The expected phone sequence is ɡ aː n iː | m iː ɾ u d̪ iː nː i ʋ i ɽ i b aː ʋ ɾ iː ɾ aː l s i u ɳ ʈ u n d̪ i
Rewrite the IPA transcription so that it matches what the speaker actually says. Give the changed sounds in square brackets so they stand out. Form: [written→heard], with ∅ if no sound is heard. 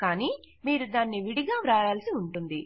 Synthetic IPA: [ɡ→k] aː n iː | m iː ɾ u d̪ [iː→aː] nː i ʋ i ɽ i [b→ɡ] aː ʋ ɾ [iː→aː] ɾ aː l s i u ɳ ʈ u n d̪ i